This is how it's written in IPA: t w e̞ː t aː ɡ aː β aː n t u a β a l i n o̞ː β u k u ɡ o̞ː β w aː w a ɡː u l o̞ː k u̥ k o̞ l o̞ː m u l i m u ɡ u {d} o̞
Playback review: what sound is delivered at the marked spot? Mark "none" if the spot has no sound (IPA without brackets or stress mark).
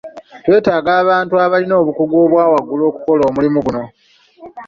n